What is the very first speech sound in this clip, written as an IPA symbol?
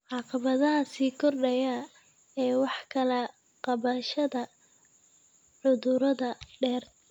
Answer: ʕ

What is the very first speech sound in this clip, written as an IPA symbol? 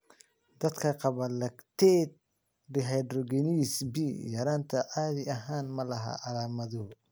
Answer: d̪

